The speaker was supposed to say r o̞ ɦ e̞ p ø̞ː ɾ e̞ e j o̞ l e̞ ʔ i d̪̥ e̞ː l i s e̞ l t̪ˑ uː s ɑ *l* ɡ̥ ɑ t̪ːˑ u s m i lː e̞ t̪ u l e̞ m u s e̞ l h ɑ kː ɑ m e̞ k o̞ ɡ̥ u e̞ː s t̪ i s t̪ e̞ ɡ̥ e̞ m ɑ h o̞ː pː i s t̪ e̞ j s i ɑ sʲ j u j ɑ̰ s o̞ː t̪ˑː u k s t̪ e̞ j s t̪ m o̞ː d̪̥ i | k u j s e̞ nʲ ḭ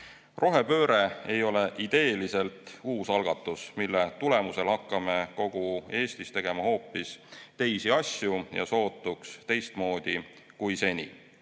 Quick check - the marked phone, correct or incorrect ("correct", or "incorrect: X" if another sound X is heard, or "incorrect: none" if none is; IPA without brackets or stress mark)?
correct